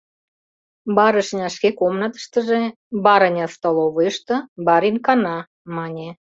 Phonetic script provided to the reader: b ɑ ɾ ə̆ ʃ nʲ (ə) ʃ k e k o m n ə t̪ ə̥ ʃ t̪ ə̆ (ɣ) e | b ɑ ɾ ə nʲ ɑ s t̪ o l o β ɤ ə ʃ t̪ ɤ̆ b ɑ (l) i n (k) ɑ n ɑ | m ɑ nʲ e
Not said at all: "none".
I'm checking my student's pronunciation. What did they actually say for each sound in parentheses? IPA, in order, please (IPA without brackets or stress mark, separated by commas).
ɑ, ʒ, ɾ, k